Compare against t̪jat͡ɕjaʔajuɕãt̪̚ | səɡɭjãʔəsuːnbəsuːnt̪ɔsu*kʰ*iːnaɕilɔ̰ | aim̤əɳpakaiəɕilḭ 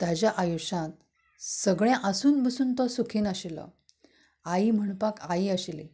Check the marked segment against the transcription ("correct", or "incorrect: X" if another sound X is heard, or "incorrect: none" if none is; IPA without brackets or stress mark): correct